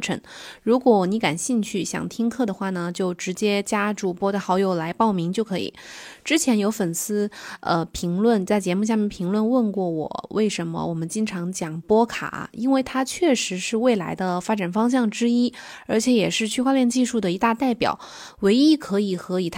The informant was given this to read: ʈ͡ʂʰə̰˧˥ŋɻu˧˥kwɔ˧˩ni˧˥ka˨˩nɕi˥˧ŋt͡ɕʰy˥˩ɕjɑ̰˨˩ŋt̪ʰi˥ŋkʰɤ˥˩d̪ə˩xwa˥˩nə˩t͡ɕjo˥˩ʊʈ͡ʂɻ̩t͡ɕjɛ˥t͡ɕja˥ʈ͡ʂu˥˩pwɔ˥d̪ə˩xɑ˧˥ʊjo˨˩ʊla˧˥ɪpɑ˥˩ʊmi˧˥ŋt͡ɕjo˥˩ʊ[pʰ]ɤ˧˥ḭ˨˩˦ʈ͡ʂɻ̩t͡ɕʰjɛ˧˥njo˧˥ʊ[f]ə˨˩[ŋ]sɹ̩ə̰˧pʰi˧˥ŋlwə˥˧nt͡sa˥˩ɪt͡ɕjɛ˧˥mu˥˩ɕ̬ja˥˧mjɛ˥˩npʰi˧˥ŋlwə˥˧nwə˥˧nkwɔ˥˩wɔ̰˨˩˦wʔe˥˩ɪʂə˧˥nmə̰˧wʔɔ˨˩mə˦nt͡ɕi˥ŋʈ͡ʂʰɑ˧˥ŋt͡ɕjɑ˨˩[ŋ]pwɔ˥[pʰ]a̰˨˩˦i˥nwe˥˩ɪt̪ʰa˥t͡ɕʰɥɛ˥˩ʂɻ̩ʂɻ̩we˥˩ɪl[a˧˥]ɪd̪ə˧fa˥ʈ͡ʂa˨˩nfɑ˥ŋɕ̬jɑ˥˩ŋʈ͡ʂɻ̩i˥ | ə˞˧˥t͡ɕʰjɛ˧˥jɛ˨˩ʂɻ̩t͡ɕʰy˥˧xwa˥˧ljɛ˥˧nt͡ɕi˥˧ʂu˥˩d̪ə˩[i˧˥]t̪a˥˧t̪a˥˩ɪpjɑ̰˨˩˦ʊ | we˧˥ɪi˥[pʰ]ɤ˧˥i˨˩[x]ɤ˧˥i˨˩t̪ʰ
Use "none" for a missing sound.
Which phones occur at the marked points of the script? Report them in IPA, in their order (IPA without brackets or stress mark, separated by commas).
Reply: kʰ, f, n, ŋ, kʰ, a˧˥, i˧˥, kʰ, x